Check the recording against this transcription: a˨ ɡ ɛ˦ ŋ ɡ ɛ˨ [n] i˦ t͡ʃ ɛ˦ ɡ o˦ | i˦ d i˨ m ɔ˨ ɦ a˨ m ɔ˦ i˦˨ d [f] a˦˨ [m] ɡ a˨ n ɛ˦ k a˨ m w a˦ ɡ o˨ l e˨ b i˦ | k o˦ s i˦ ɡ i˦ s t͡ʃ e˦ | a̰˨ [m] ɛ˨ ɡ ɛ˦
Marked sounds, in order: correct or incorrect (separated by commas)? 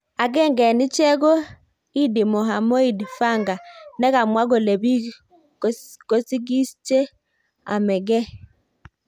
correct, correct, incorrect, correct